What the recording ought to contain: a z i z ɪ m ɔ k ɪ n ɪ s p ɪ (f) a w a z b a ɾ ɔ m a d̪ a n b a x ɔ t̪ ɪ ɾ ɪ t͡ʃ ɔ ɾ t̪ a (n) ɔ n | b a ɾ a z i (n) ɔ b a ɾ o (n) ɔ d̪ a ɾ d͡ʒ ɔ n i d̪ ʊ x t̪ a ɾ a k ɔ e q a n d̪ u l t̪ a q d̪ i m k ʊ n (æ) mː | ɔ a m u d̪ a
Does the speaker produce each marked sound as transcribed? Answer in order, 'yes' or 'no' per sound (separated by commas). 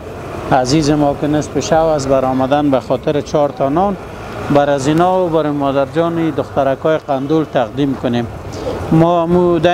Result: no, yes, yes, no, no